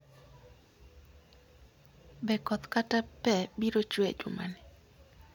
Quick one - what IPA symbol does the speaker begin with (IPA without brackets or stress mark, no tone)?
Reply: b